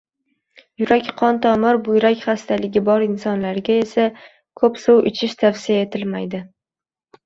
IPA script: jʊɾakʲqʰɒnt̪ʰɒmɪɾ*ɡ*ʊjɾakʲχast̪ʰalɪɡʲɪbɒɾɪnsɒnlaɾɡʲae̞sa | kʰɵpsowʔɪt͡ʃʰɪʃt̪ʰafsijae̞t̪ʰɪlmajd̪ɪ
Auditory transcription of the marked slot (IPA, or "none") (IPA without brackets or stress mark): b